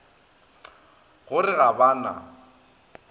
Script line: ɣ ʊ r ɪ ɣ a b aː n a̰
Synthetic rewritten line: ɣ ʊ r ɪ ɣ a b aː n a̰